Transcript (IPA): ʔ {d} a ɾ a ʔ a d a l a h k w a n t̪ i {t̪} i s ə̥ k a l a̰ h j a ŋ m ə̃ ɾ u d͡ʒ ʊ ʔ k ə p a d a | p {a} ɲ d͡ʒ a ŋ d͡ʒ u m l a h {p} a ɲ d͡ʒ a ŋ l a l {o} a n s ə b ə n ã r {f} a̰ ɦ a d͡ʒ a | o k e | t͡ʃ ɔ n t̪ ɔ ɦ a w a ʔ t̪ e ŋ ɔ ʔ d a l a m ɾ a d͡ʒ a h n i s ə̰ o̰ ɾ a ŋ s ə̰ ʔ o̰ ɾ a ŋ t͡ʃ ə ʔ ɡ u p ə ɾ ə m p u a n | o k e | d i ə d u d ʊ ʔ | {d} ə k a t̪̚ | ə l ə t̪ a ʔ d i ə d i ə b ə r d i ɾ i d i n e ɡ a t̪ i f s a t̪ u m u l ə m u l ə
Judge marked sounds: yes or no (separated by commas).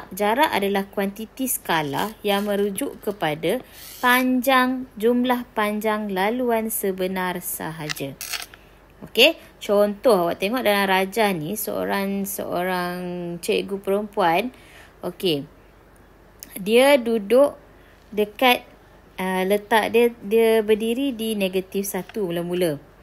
no, yes, yes, yes, no, no, yes